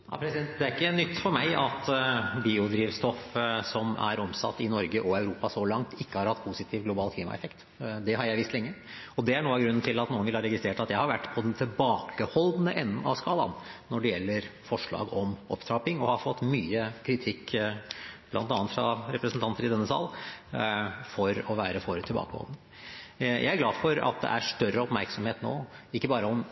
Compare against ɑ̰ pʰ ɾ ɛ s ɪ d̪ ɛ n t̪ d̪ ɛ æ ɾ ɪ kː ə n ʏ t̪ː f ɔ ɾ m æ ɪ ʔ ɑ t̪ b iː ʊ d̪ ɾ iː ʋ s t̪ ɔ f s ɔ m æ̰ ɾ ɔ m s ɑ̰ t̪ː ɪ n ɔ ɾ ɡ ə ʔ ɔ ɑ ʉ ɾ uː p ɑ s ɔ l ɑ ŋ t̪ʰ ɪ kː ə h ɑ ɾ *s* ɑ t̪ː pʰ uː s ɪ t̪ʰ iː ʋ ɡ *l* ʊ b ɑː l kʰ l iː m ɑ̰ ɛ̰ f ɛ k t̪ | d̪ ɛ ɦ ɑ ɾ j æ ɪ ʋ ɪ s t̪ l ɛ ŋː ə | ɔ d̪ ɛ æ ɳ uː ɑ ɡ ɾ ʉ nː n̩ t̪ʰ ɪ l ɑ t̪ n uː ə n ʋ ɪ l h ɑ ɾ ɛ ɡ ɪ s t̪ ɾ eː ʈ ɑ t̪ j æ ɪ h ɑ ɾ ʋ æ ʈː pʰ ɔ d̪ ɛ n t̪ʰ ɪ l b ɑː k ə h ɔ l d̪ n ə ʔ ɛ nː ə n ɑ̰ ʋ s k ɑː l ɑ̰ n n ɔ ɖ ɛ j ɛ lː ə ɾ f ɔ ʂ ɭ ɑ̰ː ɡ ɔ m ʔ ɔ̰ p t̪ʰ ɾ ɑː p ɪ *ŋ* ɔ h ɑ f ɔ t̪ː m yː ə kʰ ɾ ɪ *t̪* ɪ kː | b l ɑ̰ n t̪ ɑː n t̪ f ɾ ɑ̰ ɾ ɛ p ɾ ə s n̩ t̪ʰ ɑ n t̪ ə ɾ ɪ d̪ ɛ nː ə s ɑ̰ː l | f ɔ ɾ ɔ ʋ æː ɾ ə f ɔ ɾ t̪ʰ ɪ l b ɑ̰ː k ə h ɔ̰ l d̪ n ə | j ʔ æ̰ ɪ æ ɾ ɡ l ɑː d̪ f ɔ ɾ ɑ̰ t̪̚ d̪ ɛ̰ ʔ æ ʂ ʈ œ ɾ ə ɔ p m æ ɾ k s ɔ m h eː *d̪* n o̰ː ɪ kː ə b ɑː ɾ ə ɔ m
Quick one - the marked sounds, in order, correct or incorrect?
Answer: incorrect, correct, correct, incorrect, incorrect

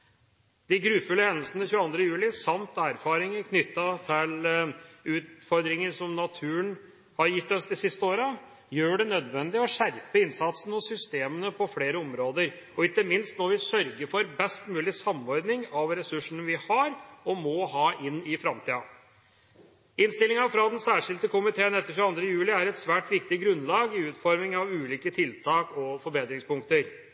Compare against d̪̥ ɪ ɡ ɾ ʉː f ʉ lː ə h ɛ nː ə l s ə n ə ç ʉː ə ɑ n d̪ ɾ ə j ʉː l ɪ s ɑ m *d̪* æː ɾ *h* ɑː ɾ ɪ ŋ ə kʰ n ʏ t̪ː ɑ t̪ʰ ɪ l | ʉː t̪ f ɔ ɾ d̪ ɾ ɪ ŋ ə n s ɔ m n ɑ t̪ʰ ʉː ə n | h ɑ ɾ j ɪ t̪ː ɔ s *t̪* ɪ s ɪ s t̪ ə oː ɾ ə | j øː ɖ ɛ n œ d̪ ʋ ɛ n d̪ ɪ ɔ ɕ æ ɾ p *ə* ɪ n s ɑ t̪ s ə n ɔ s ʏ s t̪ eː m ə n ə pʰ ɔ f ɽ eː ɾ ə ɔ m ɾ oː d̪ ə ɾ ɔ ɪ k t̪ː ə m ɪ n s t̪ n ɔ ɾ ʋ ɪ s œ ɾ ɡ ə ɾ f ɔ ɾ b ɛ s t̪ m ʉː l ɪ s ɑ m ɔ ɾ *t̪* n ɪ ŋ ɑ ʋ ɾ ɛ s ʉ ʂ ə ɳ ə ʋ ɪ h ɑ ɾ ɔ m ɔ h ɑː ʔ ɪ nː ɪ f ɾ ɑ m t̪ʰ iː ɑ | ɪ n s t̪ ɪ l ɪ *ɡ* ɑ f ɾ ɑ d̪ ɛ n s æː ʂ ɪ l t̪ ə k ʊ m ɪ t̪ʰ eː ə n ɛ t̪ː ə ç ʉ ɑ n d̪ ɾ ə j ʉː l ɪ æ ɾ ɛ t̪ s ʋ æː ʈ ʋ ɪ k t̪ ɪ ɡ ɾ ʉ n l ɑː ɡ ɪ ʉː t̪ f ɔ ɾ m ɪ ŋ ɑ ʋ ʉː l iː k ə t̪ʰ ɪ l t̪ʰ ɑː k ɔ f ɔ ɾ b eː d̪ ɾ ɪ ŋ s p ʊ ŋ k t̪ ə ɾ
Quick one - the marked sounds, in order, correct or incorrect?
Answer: incorrect, incorrect, incorrect, correct, incorrect, incorrect

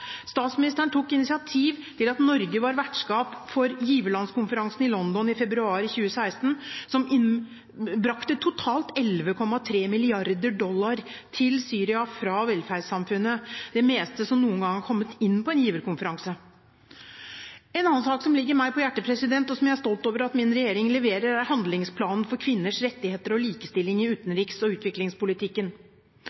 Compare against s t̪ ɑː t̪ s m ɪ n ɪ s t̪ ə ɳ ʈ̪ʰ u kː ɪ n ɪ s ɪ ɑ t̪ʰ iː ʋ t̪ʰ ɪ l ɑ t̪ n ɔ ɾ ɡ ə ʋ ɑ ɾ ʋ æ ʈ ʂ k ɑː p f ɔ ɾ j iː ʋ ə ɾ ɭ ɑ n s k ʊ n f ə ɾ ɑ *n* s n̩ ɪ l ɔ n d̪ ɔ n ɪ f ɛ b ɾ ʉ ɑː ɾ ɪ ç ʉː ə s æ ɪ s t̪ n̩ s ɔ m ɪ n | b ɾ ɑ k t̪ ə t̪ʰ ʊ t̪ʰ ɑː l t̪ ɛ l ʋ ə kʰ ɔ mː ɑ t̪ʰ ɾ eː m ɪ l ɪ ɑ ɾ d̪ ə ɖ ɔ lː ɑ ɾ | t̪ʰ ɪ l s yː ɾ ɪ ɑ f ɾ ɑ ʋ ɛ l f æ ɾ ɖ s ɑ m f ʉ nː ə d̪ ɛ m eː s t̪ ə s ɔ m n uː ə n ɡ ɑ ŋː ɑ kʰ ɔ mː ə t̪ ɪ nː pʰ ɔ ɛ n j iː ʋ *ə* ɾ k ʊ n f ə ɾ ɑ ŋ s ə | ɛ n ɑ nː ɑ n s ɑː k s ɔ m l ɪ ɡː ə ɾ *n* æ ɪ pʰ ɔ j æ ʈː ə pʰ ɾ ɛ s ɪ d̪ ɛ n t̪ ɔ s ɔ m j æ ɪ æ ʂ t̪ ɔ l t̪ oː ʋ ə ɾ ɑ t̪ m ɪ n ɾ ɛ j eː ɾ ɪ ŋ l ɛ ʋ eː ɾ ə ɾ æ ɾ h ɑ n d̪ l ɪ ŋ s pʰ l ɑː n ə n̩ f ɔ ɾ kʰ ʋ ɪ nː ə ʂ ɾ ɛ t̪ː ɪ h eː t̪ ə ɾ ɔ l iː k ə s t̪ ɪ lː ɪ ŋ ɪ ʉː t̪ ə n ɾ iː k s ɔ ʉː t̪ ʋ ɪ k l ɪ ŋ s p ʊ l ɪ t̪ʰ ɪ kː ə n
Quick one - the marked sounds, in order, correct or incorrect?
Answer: incorrect, correct, incorrect

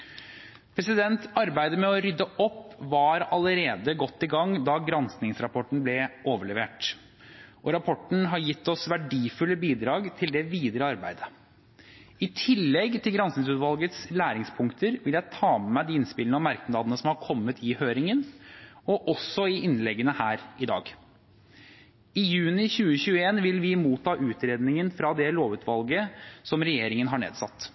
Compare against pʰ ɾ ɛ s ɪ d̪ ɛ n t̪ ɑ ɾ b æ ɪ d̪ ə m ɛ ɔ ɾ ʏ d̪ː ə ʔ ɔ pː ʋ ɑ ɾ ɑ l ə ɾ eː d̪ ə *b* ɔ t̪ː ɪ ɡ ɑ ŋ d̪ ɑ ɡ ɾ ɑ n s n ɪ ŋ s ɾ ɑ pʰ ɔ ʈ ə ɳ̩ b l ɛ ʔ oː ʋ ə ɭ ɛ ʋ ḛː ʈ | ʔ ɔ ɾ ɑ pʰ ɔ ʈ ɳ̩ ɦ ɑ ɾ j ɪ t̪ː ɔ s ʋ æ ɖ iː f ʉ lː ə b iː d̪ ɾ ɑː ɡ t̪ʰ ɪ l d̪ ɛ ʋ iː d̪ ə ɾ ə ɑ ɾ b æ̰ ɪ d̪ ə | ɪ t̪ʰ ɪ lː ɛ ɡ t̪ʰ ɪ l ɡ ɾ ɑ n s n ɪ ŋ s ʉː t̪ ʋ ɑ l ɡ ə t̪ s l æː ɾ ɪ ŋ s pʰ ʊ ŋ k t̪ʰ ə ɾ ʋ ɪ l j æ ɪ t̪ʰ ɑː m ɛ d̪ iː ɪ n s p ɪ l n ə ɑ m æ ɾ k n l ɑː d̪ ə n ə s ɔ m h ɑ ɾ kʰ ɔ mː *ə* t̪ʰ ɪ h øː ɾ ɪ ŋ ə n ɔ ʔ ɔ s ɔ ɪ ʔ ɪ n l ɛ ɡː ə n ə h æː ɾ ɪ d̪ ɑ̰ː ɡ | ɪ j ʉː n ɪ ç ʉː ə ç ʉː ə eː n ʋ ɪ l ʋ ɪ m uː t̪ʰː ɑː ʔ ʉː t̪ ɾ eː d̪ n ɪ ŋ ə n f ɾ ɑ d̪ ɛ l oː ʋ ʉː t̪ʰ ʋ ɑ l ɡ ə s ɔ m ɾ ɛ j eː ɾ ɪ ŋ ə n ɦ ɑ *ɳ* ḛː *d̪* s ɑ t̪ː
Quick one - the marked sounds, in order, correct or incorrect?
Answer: incorrect, correct, correct, correct

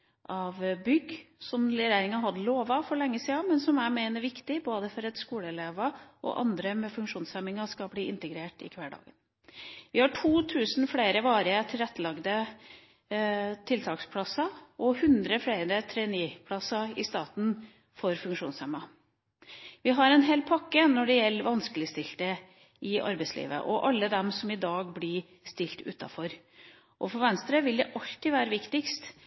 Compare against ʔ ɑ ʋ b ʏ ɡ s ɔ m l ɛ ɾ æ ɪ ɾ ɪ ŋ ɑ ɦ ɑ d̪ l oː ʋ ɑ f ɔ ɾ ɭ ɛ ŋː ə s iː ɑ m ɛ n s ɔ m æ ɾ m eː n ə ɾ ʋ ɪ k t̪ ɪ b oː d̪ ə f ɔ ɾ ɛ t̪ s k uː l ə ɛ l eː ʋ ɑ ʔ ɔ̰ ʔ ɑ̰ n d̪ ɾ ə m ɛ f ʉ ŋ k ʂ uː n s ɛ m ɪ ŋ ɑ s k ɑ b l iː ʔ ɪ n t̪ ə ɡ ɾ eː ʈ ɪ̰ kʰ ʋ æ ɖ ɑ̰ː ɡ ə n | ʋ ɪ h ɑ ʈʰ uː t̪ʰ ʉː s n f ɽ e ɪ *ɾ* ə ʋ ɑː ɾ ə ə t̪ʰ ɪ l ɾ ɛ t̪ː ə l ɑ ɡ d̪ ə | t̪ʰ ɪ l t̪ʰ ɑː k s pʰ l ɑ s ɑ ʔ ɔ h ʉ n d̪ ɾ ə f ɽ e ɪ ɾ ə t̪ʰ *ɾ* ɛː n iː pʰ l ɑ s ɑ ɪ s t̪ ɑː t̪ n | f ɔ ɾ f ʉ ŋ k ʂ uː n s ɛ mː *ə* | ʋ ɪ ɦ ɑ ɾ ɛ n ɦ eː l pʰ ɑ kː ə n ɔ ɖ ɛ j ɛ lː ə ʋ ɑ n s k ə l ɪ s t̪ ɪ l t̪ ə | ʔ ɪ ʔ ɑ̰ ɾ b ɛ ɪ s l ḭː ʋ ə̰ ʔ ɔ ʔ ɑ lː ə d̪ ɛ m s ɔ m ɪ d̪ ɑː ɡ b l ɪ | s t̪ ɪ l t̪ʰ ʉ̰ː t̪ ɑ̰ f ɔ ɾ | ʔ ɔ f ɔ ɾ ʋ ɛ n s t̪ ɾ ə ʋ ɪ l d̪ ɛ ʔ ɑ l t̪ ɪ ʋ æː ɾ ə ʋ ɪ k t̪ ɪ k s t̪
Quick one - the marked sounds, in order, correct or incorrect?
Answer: correct, correct, incorrect

